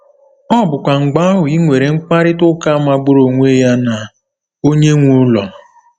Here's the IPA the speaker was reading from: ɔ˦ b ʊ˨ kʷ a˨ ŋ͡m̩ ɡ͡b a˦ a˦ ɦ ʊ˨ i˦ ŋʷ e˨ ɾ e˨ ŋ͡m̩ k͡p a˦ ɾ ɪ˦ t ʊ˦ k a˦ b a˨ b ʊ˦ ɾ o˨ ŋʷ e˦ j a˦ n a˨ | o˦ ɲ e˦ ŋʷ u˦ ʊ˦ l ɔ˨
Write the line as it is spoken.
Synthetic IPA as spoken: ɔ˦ b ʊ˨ kʷ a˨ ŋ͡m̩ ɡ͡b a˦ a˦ ɦ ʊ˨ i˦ ŋʷ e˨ ɾ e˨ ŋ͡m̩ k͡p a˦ ɾ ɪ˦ t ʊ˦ k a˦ m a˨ ɡ͡b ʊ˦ ɾ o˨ ŋʷ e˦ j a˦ n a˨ | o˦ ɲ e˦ ŋʷ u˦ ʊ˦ l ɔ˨